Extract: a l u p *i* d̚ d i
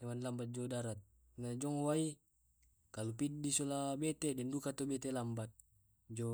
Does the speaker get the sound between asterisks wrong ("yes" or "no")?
no